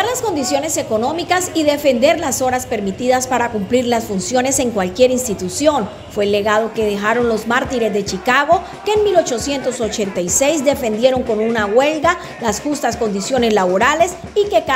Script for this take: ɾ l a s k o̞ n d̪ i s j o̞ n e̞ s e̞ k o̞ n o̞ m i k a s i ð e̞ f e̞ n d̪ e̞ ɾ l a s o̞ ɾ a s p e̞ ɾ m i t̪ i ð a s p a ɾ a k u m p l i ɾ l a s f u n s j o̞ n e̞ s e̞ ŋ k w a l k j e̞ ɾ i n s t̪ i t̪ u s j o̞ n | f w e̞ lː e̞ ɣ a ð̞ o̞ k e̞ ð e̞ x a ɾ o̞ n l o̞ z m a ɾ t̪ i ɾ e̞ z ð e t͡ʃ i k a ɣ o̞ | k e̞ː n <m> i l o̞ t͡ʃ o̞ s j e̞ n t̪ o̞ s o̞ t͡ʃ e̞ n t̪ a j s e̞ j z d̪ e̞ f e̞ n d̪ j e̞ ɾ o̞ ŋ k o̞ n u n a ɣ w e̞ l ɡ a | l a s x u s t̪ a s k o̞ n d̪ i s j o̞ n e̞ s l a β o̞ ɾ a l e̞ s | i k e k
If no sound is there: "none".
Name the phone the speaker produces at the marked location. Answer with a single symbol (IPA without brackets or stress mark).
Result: m